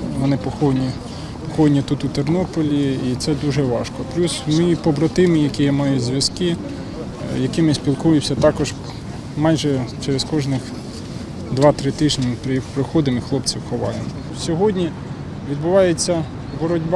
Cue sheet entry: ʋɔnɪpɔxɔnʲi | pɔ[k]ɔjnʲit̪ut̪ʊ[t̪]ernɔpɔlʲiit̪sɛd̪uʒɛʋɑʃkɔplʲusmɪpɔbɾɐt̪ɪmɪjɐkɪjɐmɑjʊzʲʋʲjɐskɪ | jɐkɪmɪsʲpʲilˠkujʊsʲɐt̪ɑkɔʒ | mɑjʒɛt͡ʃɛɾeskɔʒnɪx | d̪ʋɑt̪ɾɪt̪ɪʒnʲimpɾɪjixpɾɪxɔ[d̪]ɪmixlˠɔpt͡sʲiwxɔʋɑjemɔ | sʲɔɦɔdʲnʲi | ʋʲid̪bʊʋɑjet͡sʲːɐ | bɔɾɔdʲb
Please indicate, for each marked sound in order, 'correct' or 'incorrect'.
incorrect, correct, correct

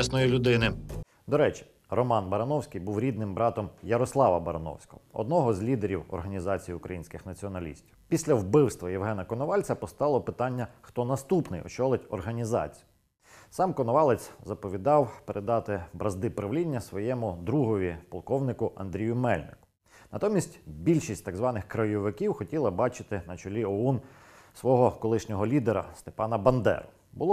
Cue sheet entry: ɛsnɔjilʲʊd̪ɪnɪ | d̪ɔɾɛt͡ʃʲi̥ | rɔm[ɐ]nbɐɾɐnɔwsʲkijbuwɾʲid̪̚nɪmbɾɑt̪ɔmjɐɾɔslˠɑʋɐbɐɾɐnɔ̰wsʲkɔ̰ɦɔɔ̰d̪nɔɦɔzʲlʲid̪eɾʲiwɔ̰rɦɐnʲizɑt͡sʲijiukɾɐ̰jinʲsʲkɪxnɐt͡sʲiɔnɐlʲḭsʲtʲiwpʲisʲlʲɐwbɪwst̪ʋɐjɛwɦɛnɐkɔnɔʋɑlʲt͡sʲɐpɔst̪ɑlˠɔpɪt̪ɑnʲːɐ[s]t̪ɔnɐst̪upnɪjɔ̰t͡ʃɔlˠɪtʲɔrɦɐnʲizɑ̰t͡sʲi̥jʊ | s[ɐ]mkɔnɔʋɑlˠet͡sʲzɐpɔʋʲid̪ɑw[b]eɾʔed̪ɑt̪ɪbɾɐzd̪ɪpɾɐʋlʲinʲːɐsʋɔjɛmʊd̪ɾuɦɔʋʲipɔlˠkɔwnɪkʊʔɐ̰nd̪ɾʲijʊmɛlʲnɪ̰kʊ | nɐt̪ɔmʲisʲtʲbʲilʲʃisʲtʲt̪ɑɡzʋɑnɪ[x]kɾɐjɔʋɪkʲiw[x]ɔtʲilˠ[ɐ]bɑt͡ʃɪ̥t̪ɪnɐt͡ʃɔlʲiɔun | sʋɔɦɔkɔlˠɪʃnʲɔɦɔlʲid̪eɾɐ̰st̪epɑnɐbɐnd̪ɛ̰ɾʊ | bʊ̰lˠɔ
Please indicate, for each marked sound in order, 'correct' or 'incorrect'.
incorrect, incorrect, incorrect, incorrect, correct, correct, correct

